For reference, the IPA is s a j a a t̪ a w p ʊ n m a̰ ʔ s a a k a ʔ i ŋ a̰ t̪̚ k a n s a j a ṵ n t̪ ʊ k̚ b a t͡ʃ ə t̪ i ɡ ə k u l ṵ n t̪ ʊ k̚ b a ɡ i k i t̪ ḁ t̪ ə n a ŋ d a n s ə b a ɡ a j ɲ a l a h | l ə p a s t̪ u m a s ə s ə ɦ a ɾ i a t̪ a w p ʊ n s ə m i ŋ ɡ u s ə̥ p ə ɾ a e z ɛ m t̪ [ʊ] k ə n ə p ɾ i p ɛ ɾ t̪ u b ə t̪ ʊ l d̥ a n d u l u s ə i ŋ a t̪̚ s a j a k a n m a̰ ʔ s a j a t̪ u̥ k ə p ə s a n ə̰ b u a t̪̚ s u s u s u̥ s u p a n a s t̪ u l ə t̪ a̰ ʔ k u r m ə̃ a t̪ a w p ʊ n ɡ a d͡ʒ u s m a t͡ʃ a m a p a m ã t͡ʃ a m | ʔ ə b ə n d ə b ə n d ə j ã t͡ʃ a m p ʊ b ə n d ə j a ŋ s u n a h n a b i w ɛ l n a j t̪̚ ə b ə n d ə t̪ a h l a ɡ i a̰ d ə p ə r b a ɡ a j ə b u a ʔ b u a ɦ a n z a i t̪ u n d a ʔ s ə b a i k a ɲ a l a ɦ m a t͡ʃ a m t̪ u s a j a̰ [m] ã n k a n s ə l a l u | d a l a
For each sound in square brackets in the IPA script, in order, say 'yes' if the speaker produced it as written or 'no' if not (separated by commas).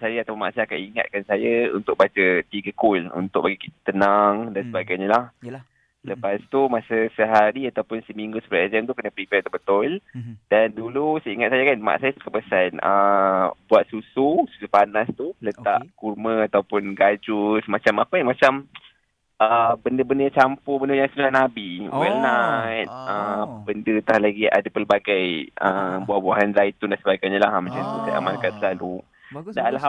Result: no, yes